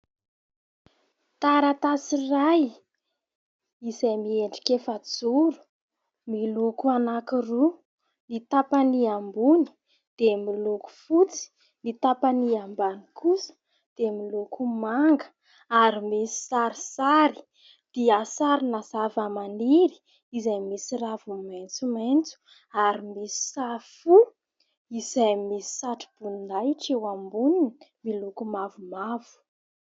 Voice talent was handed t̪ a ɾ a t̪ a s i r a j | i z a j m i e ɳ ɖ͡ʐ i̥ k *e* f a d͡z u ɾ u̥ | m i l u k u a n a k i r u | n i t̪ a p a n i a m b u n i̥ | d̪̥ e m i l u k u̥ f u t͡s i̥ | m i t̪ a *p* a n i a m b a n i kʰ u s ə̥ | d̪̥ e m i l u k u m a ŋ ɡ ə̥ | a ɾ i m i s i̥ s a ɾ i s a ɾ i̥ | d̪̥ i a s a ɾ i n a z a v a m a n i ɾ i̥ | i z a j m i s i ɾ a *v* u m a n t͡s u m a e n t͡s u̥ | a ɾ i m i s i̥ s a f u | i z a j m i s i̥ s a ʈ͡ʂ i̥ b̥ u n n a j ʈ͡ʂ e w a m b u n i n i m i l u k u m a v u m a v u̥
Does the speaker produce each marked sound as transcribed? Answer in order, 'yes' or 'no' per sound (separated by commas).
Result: yes, yes, yes